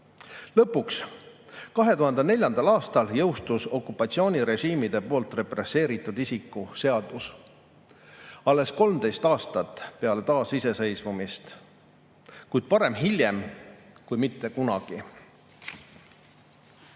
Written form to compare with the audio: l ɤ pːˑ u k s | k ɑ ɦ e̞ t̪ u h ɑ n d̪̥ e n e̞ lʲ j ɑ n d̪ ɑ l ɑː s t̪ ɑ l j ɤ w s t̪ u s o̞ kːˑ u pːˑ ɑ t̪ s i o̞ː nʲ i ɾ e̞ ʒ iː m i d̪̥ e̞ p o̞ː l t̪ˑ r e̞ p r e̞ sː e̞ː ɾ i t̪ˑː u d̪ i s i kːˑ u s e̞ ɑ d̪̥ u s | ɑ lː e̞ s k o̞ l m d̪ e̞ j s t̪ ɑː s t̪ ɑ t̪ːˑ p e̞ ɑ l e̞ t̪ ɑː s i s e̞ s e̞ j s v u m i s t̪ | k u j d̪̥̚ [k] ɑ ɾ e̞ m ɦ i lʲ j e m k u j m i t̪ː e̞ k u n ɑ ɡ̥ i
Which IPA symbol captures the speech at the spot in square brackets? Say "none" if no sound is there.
p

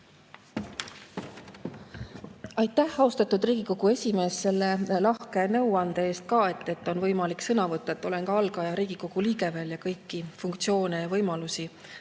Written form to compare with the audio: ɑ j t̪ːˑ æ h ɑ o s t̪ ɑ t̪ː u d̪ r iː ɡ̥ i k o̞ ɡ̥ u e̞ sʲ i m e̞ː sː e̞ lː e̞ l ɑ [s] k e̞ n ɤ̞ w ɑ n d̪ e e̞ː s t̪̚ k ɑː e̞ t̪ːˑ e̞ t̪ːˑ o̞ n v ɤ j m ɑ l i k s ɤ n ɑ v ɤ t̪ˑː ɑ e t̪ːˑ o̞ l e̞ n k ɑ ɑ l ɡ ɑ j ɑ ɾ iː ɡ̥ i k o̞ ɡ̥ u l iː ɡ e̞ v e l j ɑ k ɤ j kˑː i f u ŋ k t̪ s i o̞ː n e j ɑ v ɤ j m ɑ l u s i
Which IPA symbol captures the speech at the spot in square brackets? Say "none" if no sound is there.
h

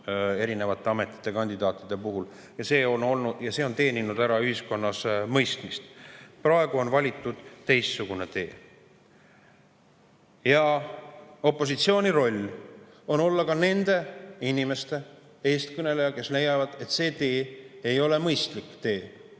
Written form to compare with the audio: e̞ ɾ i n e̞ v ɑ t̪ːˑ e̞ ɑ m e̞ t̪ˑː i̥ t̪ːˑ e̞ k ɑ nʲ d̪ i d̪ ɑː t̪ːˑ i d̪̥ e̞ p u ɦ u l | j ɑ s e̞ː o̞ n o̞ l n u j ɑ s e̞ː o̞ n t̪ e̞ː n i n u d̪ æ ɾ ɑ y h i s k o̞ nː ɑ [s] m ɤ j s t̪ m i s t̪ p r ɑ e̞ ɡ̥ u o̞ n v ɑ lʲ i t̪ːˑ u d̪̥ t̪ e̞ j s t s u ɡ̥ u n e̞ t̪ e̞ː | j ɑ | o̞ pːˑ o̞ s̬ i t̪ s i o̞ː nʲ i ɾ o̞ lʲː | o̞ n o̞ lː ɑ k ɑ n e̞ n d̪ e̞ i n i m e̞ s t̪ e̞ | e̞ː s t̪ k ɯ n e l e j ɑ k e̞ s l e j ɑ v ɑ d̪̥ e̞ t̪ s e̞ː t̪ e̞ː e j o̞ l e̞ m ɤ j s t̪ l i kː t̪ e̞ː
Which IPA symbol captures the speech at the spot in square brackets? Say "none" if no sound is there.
s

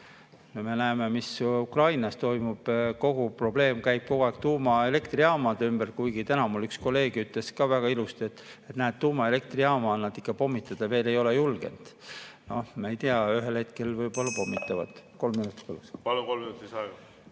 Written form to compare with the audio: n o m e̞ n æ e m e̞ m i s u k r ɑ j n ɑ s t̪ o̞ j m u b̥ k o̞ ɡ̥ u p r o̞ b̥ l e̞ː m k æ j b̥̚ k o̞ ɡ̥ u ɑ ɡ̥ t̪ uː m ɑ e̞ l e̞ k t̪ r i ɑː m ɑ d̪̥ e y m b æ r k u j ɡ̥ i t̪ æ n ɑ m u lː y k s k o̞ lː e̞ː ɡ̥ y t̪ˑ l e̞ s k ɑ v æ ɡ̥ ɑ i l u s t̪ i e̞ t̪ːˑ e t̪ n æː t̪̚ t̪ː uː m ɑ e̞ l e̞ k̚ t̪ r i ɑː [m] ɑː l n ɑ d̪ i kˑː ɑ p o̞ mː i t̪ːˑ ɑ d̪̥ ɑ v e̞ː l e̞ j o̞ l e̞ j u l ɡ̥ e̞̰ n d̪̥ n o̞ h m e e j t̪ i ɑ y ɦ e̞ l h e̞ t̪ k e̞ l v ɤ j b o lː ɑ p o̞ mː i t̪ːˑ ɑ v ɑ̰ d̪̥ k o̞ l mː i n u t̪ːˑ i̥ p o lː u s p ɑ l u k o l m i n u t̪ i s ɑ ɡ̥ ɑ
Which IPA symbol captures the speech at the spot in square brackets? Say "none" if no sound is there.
m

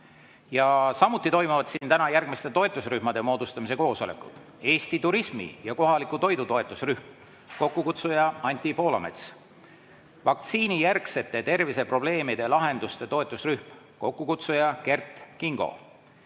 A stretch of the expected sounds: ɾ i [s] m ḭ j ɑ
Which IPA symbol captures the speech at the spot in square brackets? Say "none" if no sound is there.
s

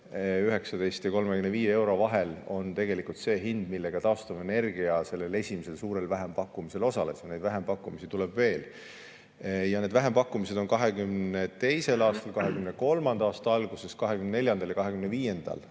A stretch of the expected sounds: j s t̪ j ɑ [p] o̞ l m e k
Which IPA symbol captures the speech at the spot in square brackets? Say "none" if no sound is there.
k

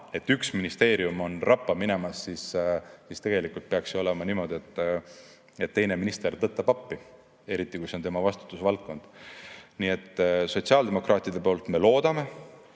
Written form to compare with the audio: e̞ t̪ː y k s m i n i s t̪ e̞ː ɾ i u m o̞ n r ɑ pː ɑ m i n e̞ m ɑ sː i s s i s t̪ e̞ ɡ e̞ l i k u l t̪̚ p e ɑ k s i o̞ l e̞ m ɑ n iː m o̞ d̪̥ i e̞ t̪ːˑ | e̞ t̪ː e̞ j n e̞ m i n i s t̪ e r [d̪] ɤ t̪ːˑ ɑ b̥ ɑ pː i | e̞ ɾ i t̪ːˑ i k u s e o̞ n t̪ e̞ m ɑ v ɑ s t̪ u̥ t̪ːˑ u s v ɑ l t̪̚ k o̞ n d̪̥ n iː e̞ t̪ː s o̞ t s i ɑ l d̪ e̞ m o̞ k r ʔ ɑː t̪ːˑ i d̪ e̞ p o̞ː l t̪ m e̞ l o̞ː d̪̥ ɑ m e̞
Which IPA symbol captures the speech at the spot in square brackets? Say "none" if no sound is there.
t̪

